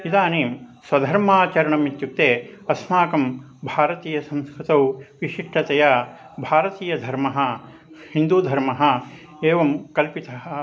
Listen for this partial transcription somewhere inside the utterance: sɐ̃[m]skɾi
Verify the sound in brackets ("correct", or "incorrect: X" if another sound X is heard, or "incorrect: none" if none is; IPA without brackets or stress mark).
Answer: correct